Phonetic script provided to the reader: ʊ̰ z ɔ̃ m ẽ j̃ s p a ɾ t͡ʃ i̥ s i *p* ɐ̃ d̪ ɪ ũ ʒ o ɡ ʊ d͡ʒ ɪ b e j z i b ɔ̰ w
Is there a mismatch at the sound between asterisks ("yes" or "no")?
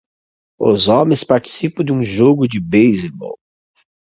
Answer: no